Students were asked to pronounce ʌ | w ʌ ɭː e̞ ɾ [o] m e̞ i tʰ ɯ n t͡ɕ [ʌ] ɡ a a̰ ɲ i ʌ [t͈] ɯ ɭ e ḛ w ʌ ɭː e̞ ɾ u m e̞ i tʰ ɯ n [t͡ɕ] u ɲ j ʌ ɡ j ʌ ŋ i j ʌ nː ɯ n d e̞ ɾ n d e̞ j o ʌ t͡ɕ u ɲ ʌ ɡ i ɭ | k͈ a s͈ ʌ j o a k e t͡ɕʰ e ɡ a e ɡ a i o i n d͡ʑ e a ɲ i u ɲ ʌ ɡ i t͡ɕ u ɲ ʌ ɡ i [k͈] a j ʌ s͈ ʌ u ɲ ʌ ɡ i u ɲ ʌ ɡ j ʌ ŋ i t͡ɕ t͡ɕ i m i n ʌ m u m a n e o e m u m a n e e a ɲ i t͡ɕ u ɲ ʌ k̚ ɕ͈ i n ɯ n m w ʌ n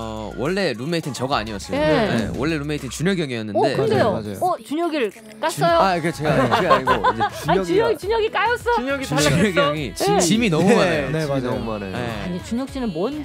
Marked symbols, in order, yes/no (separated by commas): no, yes, no, yes, yes